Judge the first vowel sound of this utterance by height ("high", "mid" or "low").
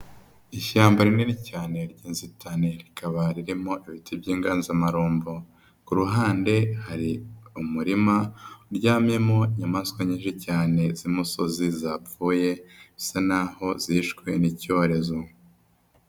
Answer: high